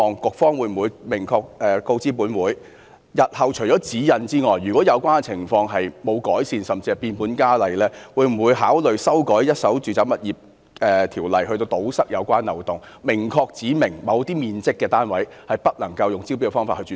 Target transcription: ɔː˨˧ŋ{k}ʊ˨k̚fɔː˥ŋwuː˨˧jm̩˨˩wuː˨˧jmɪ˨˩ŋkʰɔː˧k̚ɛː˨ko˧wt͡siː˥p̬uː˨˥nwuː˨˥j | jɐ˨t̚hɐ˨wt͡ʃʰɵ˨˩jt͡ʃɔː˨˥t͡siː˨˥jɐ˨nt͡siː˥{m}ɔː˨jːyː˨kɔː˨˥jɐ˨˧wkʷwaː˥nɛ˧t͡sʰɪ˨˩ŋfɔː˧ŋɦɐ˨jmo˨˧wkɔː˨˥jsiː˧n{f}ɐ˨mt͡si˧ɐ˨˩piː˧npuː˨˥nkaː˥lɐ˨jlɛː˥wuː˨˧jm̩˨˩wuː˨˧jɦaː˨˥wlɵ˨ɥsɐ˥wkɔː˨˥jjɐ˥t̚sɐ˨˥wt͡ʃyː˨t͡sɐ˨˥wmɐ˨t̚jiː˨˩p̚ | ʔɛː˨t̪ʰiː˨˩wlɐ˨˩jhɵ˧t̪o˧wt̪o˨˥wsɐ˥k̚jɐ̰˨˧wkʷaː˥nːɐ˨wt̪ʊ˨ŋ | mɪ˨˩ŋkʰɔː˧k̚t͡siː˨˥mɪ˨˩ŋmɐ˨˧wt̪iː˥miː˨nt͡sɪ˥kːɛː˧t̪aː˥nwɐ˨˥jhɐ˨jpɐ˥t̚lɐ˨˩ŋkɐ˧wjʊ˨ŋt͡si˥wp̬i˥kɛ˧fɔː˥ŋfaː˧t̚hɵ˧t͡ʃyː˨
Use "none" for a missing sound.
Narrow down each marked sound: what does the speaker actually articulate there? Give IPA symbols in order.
k, ŋ, s

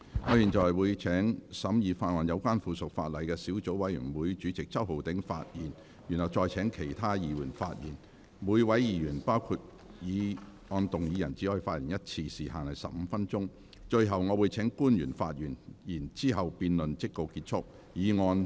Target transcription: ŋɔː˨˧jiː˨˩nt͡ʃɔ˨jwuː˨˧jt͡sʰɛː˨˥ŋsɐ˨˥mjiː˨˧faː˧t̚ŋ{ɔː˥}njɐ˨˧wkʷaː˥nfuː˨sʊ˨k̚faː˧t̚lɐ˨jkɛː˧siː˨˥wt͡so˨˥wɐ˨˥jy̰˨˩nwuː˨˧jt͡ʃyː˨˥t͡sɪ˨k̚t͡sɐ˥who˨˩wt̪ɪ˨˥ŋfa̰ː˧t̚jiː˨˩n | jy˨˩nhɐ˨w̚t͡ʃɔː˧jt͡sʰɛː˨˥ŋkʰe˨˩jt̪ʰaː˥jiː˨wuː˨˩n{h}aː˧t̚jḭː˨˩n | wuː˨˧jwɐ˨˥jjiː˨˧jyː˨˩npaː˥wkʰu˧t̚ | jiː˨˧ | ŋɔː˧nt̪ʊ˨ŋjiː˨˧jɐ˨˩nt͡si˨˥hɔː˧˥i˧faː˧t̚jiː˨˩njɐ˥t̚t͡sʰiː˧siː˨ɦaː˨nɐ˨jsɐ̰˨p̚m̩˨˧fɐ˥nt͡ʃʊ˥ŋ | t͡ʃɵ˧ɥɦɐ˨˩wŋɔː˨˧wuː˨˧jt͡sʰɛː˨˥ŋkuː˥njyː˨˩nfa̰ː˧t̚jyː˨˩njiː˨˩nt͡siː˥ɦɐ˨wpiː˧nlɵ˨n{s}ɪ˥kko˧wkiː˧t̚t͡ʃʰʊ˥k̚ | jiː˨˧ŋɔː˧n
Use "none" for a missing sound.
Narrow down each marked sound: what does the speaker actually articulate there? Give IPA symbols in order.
ɔː˨˧, f, t͡s

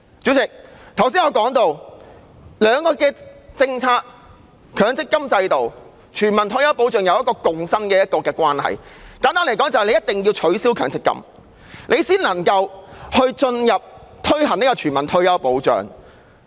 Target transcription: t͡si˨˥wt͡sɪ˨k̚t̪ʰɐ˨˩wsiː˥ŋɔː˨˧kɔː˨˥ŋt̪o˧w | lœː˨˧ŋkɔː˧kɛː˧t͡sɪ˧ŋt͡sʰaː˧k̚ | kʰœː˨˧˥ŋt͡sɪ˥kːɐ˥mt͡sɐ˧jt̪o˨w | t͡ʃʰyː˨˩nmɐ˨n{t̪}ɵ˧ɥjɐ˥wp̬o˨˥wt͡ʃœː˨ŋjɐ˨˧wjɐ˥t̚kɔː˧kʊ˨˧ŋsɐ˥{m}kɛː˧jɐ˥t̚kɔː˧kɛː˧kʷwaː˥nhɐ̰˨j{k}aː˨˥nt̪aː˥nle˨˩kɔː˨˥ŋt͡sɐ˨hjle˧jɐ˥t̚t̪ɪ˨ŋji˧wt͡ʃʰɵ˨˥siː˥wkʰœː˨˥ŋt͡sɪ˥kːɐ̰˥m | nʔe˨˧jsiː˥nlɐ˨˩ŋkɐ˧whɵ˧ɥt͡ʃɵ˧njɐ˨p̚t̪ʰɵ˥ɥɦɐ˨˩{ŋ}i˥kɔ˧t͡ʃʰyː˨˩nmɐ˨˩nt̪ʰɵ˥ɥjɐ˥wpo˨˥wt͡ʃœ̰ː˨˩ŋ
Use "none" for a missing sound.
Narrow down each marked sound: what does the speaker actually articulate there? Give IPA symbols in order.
t̪ʰ, n, k, n

